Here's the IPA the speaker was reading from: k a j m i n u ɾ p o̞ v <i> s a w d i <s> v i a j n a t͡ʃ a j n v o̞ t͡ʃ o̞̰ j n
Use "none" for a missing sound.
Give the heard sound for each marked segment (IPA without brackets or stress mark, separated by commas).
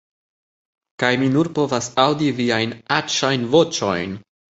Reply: a, none